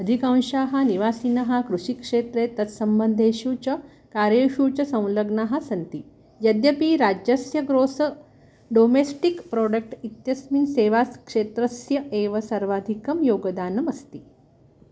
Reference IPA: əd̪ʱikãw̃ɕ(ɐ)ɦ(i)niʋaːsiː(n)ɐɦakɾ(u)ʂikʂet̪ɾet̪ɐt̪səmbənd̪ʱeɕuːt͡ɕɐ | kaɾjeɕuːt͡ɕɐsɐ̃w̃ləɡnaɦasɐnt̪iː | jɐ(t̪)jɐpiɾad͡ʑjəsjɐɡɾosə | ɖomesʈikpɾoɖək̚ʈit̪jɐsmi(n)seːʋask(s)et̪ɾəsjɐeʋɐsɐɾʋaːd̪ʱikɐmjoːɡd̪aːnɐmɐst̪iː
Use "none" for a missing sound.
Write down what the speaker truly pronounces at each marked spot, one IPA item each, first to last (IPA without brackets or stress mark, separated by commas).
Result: a, a, n, u, d̪, n, ʂ